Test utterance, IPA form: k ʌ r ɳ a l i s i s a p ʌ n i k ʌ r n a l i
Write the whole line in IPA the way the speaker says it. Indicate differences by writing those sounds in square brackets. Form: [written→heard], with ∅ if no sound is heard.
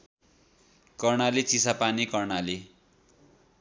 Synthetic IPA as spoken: k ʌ r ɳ a l i [s→t͡s] i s a p [ʌ→a] n i k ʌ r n a l i